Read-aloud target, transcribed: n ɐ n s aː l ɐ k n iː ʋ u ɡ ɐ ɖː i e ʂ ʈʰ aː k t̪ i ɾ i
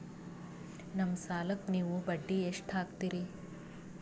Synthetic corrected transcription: n ɐ m s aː l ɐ k n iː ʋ u b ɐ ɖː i e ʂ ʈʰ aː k t̪ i ɾ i